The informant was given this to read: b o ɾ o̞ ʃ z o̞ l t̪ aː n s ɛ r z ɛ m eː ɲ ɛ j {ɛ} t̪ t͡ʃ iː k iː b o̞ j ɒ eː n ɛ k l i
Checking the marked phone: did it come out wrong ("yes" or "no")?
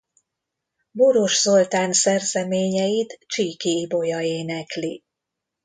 yes